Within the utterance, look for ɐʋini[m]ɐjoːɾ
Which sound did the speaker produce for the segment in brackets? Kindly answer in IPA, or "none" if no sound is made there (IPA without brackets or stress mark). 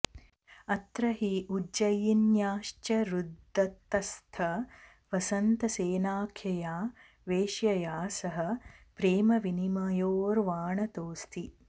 m